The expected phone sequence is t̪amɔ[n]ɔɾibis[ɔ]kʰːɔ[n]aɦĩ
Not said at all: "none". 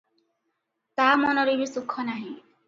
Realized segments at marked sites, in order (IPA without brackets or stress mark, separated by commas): n, u, n